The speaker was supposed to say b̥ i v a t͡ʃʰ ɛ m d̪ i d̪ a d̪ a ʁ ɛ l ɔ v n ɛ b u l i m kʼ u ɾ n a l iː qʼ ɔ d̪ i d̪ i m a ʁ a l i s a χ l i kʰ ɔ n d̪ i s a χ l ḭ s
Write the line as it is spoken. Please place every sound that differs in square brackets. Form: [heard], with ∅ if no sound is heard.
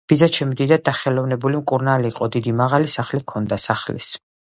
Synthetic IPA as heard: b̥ i [z] a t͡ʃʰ ɛ m d̪ i d̪ a d̪ a [χ] ɛ l ɔ v n ɛ b u l i m kʼ u ɾ n a l iː qʼ ɔ d̪ i d̪ i m a ʁ a l i s a χ l i kʰ ɔ n d̪ [a] s a χ l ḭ s